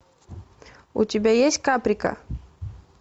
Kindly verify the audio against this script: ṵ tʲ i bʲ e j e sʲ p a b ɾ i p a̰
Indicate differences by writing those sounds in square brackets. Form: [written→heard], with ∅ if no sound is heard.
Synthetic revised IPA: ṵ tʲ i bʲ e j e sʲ [p→k] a [b→p] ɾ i [p→k] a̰